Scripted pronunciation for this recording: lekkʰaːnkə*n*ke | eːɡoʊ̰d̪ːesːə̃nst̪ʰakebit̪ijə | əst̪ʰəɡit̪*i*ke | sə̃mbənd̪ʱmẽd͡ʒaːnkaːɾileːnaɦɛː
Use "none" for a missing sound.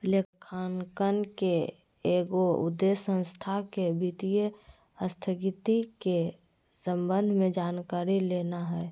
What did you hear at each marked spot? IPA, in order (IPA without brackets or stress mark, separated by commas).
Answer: n, i